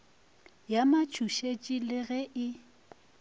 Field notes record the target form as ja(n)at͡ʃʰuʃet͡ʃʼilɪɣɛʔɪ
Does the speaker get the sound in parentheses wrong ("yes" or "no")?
yes